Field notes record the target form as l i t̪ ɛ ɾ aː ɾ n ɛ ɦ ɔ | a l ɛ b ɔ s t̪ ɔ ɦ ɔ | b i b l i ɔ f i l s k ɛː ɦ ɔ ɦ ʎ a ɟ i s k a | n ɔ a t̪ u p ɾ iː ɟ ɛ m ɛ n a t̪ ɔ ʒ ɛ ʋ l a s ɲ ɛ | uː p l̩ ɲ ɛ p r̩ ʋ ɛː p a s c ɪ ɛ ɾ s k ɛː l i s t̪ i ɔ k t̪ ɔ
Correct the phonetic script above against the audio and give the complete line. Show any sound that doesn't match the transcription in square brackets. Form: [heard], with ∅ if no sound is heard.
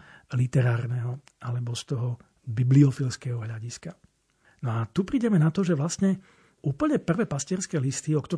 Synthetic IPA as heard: l i t̪ ɛ ɾ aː ɾ n ɛ ɦ ɔ | a l ɛ b ɔ s t̪ ɔ ɦ ɔ | b i b l i ɔ f i l s k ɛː ɦ ɔ ɦ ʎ a ɟ i s k a | n ɔ a t̪ u p ɾ iː ɟ ɛ m ɛ n a t̪ ɔ ʒ ɛ ʋ l a s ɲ ɛ | uː p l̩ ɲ ɛ p r̩ ʋ ɛː p a s c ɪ ɛ ɾ s k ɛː l i s t̪ i ɔ k t̪ ɔ